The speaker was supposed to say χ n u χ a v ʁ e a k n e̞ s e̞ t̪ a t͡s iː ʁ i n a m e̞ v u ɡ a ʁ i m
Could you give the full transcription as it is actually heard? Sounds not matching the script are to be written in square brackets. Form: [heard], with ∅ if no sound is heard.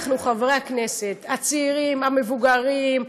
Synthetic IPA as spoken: χ n u χ a v ʁ e a k n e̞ s e̞ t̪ a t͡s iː ʁ i [m] a m e̞ v u ɡ a ʁ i m